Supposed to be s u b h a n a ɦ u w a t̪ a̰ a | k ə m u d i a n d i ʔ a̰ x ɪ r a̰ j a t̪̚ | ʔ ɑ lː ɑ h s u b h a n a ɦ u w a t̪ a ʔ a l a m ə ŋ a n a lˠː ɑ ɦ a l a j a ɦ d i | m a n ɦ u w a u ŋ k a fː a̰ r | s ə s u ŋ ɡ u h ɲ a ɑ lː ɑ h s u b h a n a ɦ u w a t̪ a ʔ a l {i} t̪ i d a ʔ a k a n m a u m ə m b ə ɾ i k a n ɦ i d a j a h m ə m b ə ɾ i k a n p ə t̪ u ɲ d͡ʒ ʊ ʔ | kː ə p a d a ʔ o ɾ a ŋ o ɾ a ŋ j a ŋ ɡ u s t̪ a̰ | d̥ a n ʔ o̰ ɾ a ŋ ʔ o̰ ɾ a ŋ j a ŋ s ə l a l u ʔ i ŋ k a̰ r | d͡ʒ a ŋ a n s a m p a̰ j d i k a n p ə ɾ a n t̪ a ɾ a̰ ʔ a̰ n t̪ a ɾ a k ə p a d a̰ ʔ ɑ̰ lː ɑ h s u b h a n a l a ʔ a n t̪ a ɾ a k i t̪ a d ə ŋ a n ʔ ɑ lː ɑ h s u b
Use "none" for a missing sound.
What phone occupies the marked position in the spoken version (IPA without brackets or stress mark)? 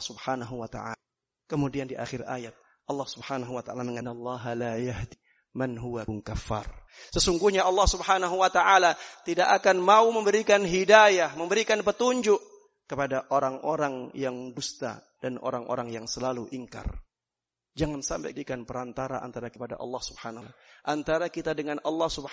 a